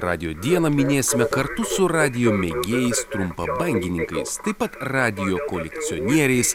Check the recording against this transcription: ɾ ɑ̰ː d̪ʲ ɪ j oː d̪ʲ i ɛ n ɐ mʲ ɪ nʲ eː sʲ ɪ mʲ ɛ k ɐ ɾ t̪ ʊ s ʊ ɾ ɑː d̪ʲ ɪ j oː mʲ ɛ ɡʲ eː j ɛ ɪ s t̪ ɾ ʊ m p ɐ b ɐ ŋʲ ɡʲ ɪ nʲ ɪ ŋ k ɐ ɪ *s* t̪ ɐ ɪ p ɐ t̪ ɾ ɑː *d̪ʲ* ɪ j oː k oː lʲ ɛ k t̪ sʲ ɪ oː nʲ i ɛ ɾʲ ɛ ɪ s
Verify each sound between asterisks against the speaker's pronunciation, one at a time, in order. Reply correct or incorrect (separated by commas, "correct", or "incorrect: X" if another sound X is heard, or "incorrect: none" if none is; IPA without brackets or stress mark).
correct, correct